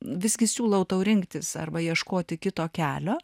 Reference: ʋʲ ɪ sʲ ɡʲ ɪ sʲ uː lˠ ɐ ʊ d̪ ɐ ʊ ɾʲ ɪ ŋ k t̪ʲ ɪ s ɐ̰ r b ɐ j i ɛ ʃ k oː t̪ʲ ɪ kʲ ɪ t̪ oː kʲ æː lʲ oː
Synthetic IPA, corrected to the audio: ʋʲ ɪ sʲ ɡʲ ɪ sʲ uː lˠ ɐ ʊ t̪ ɐ ʊ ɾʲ ɪ ŋ k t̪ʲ ɪ s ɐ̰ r b ɐ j i ɛ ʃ k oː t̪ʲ ɪ kʲ ɪ t̪ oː kʲ æː lʲ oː

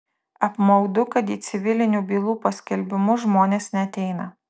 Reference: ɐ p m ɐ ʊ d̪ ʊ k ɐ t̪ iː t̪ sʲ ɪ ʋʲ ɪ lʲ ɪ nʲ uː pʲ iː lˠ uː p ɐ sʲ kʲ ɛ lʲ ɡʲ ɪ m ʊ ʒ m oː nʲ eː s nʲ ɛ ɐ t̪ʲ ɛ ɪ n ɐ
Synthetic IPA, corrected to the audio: ɐ p m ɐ ʊ d̪ ʊ k ɐ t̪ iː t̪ sʲ ɪ ʋʲ ɪ lʲ ɪ nʲ uː bʲ iː lˠ uː p ɐ sʲ kʲ ɛ lʲ bʲ ɪ m ʊ ʒ m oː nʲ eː s nʲ ɛ ɐ t̪ʲ ɛ ɪ n ɐ

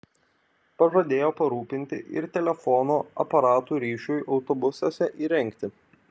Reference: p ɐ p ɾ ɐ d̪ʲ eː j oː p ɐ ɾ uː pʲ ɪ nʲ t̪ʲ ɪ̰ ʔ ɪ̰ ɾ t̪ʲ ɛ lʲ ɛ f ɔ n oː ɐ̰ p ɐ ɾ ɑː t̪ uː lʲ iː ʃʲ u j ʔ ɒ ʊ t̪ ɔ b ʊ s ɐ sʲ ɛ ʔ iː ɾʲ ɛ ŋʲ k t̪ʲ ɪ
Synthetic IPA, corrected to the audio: p ɐ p ɾ ɐ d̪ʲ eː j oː p ɐ ɾ uː pʲ ɪ nʲ t̪ʲ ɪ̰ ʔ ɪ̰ ɾ t̪ʲ ɛ lʲ ɛ f ɔ n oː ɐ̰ p ɐ ɾ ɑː t̪ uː ɾʲ iː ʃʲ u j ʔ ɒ ʊ t̪ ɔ b ʊ s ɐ sʲ ɛ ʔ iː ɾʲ ɛ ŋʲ k t̪ʲ ɪ

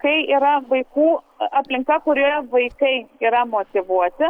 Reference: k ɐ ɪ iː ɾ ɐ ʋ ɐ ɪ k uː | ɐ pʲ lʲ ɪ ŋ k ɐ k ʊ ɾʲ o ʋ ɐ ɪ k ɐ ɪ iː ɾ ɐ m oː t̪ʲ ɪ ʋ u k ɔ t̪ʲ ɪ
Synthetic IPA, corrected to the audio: k ɐ ɪ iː ɾ ɐ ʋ ɐ ɪ k uː | ɐ pʲ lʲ ɪ ŋ k ɐ k ʊ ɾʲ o ʋ ɐ ɪ k ɐ ɪ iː ɾ ɐ m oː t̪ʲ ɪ ʋ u ɔ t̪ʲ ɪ

